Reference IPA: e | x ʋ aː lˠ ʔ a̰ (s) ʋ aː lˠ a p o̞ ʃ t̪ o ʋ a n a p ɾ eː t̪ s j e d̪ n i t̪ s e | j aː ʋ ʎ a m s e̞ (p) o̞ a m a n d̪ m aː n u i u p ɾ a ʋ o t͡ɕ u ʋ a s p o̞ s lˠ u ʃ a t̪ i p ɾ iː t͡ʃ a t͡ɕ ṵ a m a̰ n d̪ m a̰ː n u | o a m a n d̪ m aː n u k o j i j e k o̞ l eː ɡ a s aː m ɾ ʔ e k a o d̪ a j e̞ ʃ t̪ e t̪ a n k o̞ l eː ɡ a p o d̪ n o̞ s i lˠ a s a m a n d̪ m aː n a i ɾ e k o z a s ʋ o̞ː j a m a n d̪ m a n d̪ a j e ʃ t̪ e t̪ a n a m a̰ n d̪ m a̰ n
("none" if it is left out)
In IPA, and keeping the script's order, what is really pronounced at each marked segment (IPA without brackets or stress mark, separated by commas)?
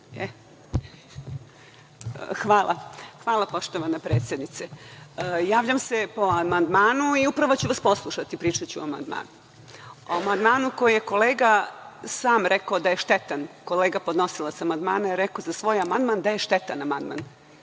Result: x, p